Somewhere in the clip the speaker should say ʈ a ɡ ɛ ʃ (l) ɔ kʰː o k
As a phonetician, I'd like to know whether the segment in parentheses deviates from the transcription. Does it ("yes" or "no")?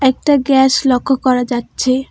no